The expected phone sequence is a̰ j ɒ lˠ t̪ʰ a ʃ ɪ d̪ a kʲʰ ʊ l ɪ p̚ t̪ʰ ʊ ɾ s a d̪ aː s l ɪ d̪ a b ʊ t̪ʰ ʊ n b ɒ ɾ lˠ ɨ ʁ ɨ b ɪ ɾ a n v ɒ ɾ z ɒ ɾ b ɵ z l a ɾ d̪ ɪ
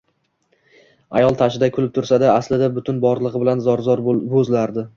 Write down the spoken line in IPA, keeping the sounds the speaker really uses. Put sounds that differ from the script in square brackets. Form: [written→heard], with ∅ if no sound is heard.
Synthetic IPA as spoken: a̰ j ɒ lˠ t̪ʰ a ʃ ɪ d̪ a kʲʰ ʊ l ɪ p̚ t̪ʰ ʊ ɾ s a d̪ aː s l ɪ d̪ a b ʊ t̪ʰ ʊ n b ɒ ɾ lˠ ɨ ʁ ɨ b ɪ [ɾ→l] a n [v→z] ɒ ɾ z ɒ ɾ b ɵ z l a ɾ d̪ ɪ

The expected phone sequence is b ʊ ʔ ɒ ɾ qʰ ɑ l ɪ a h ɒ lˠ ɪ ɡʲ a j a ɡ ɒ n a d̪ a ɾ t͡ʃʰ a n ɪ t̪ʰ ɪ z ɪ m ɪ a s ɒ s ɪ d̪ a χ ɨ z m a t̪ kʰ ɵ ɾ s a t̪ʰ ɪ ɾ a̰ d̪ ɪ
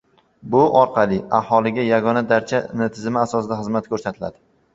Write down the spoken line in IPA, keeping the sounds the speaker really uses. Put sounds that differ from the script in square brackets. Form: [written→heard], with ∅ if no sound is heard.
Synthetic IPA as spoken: b ʊ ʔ ɒ ɾ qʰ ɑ l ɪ a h ɒ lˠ ɪ ɡʲ a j a ɡ ɒ n a d̪ a ɾ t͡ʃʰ a n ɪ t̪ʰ ɪ z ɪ m ɪ a s ɒ s ɪ d̪ a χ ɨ z m a t̪ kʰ ɵ ɾ s a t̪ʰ ɪ [ɾ→l] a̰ d̪ ɪ

